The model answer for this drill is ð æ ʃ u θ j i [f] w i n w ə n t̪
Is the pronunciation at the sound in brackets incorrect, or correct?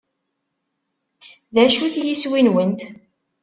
incorrect: s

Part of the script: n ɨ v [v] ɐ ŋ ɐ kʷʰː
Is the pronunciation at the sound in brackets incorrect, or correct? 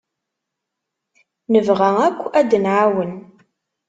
incorrect: ʁ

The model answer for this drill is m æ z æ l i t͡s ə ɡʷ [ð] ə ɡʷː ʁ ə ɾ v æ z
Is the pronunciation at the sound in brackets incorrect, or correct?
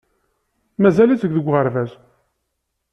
correct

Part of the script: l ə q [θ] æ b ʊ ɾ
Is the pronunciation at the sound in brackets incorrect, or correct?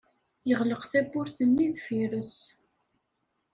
correct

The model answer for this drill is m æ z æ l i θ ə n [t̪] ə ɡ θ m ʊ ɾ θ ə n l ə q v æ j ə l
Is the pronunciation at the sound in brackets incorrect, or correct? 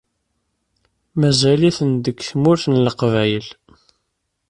incorrect: d̪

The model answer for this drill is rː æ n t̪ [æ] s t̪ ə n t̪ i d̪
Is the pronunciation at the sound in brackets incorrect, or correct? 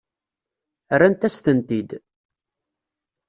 correct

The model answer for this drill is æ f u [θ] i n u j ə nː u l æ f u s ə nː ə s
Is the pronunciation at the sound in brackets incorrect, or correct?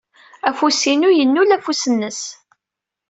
incorrect: s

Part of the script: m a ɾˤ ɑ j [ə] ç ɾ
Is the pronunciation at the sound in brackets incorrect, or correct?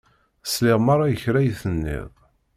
correct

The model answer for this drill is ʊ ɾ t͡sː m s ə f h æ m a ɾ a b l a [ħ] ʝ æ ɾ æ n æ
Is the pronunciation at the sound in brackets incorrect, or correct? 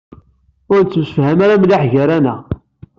correct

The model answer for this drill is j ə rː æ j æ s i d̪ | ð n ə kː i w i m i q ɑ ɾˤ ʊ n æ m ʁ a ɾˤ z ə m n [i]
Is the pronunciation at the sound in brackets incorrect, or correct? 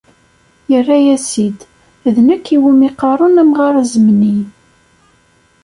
correct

